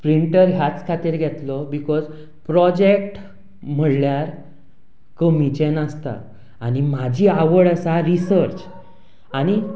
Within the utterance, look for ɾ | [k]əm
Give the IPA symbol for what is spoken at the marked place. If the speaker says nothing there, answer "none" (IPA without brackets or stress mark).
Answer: k